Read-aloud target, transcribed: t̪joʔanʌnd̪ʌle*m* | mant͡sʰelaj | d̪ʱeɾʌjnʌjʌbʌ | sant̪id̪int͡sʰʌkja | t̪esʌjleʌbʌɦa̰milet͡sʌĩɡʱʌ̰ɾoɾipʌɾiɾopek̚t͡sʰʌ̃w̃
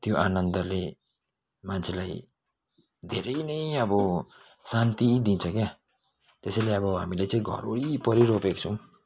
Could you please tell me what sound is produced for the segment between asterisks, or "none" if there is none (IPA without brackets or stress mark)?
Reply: none